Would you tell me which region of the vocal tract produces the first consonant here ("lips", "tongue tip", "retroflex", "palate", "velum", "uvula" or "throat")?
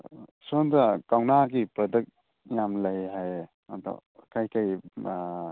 tongue tip